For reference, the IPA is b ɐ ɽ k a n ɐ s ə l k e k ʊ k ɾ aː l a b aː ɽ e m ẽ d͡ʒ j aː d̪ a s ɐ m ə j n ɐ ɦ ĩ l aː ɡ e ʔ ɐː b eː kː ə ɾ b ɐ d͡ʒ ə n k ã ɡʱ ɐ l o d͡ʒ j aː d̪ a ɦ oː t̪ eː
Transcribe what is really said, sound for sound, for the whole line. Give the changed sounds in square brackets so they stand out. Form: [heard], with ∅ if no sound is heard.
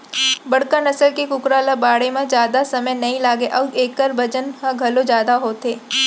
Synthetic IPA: b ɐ ɽ k a n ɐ s ə l k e k ʊ k ɾ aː l a b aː ɽ e m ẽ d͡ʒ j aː d̪ a s ɐ m ə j n ɐ ɦ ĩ l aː ɡ e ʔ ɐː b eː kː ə ɾ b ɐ d͡ʒ ə n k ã ɡʱ ɐ l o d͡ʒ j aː d̪ a ɦ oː t̪ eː